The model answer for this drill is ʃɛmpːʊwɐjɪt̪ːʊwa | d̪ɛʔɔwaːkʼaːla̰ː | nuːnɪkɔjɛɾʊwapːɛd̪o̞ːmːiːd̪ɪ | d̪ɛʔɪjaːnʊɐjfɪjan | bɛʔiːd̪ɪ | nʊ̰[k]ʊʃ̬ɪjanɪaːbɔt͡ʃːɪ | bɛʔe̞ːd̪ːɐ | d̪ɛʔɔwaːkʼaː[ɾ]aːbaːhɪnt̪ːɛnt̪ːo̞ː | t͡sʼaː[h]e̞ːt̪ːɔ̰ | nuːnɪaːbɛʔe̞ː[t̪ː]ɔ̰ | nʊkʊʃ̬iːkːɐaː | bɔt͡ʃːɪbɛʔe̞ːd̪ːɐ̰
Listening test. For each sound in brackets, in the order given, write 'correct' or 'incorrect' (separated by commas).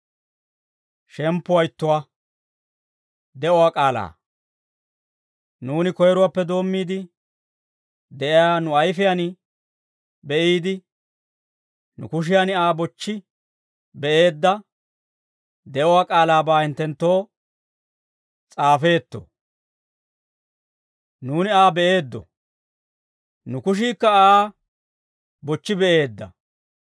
correct, incorrect, incorrect, incorrect